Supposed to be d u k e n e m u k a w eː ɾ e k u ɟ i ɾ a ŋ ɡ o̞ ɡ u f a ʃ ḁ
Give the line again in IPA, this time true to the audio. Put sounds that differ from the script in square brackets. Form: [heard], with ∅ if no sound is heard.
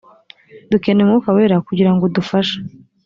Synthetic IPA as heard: d u k e n e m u k a w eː ɾ [a] k u ɟ i ɾ a ŋ ɡ o̞ [d] u f a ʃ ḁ